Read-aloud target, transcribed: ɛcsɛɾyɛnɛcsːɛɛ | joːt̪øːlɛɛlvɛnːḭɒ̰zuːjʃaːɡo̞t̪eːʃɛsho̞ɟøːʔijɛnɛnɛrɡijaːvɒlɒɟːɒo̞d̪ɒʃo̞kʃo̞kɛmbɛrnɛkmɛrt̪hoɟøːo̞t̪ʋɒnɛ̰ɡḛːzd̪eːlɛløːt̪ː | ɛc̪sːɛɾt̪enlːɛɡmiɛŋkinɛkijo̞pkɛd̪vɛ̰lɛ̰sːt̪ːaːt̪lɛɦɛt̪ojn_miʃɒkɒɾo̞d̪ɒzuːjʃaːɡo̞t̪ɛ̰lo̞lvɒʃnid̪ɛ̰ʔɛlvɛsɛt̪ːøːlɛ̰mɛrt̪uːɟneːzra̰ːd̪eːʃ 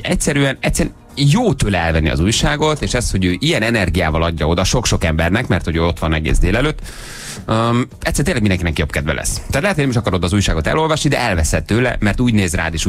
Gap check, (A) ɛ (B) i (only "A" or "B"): A